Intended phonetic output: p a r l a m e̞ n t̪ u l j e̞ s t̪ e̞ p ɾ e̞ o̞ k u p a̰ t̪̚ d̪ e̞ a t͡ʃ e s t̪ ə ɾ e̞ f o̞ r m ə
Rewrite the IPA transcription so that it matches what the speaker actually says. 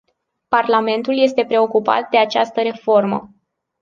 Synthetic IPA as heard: p a r l a m e̞ n t̪ u l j e̞ s t̪ e̞ p ɾ e̞ o̞ k u p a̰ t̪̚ d̪ e̞ a t͡ʃ a s t̪ ə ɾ e̞ f o̞ r m ə